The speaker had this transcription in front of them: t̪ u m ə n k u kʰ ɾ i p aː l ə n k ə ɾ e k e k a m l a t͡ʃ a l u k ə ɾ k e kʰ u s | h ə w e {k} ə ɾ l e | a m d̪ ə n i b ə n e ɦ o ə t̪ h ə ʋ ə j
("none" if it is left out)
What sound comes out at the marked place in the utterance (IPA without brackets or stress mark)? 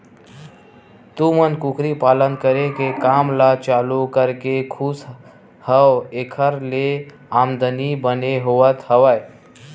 kʰ